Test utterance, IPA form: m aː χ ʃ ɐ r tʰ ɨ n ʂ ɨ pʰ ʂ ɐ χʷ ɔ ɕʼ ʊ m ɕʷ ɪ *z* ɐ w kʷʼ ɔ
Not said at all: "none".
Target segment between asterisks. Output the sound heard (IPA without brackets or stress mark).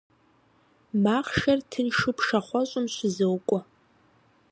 z